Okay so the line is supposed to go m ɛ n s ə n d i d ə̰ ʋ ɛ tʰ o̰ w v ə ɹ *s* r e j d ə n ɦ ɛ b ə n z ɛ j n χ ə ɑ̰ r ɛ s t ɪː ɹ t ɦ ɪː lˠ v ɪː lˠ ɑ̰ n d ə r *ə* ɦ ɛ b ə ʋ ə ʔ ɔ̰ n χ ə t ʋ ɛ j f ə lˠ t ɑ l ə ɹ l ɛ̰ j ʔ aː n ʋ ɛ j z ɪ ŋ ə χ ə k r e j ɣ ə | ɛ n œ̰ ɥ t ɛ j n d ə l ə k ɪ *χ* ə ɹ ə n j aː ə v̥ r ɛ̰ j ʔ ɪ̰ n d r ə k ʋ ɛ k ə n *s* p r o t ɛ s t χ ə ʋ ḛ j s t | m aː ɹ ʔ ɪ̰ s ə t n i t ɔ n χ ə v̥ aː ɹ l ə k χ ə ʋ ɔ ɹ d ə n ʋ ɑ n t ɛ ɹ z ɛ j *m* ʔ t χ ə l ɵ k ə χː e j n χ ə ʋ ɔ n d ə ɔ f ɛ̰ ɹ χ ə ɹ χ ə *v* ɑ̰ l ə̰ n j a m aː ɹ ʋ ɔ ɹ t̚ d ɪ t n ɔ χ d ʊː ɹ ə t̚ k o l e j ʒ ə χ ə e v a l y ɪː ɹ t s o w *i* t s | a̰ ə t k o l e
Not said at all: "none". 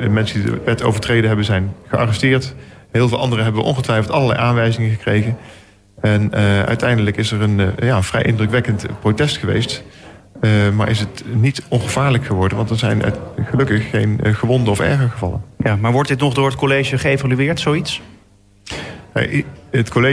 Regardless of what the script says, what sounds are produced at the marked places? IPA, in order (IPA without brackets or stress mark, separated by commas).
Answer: t, ə, s, t, n, v, i